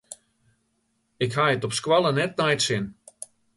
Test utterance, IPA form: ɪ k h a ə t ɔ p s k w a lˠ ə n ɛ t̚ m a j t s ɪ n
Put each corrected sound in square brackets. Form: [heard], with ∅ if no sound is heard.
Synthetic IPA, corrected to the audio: ɪ k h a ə t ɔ p s k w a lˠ ə n ɛ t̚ [n] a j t s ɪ n